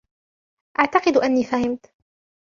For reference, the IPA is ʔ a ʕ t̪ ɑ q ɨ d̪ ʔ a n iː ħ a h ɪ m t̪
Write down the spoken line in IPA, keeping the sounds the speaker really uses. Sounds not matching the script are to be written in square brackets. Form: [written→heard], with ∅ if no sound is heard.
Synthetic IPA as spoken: ʔ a ʕ t̪ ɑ q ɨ d̪ ʔ a [n→nː] iː [ħ→f] a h ɪ m t̪